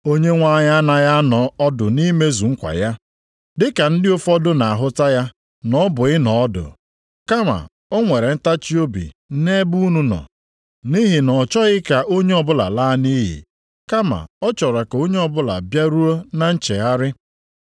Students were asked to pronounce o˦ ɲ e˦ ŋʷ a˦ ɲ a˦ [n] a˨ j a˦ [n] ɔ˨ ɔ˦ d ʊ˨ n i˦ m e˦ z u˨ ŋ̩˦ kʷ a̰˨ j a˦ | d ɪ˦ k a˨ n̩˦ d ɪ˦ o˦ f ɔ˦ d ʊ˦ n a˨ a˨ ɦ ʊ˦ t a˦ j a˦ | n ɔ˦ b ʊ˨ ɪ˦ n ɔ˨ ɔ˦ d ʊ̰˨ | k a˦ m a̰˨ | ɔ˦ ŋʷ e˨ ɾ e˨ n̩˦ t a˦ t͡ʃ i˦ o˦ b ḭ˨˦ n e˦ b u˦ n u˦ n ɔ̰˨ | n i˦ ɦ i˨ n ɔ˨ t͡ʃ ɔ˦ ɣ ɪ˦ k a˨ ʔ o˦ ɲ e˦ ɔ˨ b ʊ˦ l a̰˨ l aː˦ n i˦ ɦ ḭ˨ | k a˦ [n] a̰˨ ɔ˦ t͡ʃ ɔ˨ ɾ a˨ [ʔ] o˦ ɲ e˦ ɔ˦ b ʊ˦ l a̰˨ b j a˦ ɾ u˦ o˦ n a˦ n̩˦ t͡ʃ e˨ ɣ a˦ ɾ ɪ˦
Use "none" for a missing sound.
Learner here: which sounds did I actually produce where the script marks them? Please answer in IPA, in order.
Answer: n, n, m, k

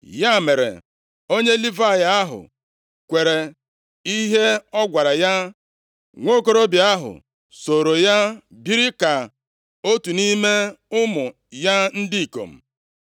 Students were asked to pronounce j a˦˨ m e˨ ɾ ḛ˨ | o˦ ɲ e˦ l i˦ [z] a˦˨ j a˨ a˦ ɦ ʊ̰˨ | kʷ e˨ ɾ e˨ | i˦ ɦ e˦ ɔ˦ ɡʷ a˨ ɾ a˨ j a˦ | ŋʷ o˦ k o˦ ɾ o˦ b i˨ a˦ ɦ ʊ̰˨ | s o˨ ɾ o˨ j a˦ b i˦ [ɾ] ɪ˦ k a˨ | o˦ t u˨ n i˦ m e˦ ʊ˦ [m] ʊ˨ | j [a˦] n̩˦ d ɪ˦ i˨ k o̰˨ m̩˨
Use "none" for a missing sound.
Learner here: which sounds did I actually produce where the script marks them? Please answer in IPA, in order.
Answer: v, ɾ, m, a˦

